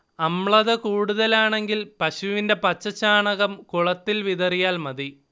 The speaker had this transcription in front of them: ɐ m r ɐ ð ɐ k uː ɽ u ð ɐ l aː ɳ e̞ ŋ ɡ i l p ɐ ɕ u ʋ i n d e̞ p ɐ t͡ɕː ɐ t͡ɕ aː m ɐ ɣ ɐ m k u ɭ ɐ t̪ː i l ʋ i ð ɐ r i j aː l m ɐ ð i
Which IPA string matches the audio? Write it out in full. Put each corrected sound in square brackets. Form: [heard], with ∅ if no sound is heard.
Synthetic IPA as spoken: ɐ m [ɭ] ɐ ð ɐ k uː ɽ u ð ɐ l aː ɳ e̞ ŋ ɡ i l p ɐ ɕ u ʋ i n d e̞ p ɐ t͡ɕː ɐ t͡ɕ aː [ɳ] ɐ ɣ ɐ m k u ɭ ɐ t̪ː i l ʋ i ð ɐ r i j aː l m ɐ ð i